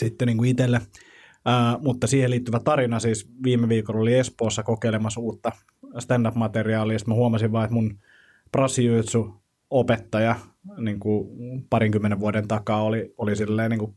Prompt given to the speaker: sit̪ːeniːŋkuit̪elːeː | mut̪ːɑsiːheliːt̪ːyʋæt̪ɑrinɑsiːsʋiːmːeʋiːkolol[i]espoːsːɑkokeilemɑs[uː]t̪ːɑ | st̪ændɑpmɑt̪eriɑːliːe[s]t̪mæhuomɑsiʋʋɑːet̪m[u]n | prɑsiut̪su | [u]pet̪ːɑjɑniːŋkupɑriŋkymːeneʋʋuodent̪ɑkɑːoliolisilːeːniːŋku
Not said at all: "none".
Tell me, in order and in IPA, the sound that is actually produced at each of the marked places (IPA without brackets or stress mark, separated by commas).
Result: i, uː, s, u, o